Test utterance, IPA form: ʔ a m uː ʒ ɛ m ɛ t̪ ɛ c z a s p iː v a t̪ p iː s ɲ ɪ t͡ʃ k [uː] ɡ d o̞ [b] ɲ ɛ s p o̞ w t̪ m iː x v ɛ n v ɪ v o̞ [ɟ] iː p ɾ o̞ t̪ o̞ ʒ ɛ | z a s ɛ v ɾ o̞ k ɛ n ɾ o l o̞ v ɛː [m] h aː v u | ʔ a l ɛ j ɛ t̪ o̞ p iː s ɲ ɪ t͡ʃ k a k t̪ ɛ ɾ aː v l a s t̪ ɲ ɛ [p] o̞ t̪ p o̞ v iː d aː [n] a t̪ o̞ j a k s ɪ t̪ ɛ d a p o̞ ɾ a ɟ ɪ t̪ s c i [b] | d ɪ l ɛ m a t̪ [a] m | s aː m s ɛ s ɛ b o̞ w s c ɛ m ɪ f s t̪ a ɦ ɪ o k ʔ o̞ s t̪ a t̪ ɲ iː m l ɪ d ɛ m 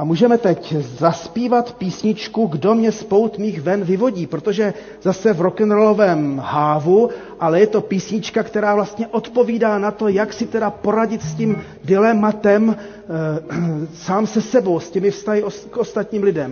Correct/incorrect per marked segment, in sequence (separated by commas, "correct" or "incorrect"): incorrect, incorrect, correct, correct, incorrect, correct, incorrect, incorrect